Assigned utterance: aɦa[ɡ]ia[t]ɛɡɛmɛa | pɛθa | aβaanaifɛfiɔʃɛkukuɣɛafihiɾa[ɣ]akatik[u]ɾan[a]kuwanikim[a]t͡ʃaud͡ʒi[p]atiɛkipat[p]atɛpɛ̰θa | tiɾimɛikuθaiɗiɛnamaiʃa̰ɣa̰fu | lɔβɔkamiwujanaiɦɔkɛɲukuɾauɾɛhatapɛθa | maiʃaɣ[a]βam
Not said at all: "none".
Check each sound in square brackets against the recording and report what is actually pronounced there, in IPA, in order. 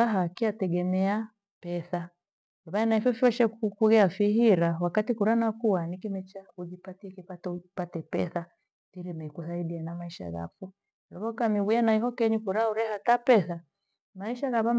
k, t, w, u, a, ɛ, p, p, a

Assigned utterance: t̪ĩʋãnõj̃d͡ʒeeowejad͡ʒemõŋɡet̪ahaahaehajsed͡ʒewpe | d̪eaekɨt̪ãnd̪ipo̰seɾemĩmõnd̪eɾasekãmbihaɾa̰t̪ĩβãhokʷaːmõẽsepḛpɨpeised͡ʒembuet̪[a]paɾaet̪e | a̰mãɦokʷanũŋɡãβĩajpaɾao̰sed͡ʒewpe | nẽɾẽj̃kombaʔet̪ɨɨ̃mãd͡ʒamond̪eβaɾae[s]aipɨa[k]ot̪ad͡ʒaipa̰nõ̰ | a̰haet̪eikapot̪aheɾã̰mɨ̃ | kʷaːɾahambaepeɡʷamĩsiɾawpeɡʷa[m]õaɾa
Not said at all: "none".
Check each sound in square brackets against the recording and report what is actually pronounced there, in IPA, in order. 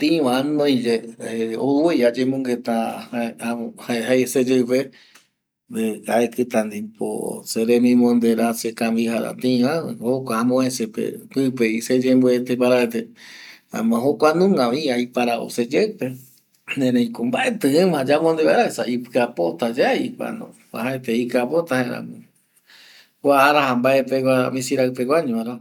e, s, p, ɲ

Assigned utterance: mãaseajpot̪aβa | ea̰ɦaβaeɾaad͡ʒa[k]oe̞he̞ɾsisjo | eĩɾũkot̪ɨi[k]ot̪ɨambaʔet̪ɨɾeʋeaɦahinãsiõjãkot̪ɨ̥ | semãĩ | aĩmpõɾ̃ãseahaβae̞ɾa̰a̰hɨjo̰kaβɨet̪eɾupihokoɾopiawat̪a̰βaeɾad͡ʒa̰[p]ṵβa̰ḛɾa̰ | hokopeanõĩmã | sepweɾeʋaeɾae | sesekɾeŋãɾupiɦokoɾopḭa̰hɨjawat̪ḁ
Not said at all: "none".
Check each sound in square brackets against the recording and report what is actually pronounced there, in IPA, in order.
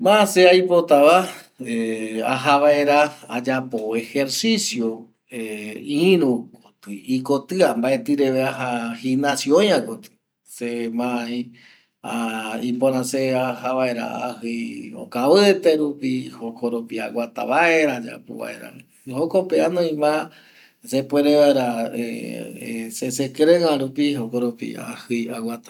p, k, p

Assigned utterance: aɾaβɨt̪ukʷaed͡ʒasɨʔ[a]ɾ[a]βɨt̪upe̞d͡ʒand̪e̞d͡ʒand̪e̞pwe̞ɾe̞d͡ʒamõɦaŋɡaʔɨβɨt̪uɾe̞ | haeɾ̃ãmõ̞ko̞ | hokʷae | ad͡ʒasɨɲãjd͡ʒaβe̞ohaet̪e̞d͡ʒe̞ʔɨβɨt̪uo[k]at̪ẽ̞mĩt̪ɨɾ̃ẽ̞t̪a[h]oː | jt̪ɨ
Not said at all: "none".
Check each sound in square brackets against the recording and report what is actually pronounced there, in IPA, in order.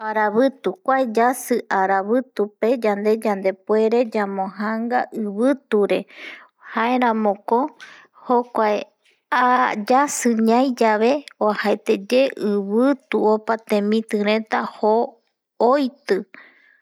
a, a, p, h

